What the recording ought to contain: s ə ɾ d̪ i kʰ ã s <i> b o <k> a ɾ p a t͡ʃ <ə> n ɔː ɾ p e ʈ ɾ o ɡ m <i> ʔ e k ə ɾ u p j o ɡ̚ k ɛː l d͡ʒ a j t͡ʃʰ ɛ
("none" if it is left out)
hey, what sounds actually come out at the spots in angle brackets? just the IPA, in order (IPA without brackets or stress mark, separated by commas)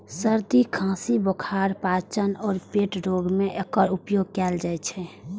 i, kʰ, ə, e